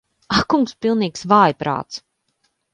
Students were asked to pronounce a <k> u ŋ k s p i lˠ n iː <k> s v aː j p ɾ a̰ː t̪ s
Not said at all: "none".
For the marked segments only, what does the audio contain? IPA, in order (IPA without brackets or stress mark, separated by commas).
k, k